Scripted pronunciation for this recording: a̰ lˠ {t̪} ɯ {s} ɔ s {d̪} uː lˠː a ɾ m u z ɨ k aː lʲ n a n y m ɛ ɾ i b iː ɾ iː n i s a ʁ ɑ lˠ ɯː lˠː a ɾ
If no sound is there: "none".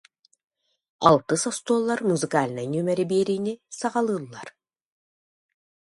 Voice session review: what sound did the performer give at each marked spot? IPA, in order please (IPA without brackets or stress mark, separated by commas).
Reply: t̪, s, t̪